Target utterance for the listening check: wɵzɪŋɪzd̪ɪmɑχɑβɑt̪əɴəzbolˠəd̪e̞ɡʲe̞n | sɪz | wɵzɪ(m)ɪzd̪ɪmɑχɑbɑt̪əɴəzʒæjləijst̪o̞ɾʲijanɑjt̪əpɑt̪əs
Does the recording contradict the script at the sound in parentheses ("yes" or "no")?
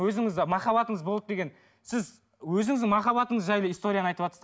yes